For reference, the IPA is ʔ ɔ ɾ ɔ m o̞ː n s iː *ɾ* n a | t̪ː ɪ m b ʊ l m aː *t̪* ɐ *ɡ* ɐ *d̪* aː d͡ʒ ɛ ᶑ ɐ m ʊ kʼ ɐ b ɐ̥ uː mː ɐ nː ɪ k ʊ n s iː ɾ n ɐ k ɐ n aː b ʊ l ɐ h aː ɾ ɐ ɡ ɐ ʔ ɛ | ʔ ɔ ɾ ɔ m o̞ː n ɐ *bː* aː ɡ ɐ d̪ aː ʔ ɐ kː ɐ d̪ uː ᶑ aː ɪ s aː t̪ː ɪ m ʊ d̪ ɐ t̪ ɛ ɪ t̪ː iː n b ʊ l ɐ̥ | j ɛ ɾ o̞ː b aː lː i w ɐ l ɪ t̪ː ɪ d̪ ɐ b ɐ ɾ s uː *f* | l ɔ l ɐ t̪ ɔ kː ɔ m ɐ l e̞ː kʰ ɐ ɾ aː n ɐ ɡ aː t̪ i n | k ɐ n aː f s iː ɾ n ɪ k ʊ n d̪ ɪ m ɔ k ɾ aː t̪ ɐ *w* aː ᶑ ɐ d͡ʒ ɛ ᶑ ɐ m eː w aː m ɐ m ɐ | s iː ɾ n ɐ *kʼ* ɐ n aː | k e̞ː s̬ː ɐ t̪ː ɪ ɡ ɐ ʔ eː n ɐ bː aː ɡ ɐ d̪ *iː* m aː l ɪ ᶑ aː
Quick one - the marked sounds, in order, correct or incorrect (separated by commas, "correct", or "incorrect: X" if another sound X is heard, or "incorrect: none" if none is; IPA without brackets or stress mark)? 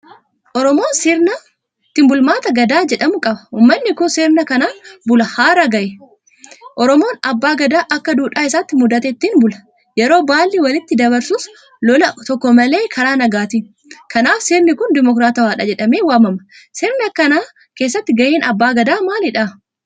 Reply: correct, correct, correct, correct, correct, incorrect: s, correct, incorrect: k, incorrect: aː